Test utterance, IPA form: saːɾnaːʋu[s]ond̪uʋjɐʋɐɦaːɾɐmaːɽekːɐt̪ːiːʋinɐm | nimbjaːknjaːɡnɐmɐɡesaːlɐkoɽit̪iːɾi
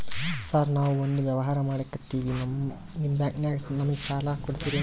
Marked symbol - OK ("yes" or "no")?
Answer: no